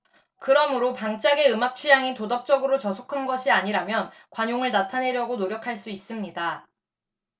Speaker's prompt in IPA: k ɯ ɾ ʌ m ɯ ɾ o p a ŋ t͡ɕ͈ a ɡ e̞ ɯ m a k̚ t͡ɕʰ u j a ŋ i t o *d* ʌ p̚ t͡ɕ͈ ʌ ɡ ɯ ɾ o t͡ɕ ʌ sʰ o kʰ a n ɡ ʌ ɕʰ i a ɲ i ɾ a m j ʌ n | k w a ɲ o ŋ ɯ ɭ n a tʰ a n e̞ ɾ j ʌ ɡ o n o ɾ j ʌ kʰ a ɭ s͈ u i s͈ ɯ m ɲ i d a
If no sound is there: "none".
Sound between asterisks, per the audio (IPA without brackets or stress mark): d